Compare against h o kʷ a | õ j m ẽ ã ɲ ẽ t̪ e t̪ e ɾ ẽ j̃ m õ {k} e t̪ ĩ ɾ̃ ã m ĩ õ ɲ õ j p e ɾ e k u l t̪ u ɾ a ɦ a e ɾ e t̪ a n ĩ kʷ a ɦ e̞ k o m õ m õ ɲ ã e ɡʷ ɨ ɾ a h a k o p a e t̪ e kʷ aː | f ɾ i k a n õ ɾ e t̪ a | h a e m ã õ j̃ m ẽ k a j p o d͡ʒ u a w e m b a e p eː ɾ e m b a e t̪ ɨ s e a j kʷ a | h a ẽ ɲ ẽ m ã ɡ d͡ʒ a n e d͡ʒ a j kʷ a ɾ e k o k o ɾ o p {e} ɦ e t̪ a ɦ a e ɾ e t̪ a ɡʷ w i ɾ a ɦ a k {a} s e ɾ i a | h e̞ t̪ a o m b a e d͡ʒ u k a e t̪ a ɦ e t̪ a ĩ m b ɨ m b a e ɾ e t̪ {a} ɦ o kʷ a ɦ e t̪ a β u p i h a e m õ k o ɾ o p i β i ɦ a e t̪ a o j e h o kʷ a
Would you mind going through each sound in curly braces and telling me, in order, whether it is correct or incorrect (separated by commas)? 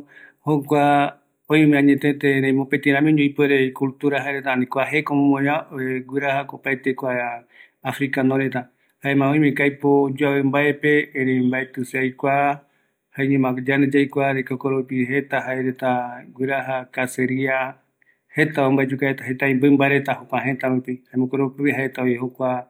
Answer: incorrect, incorrect, correct, correct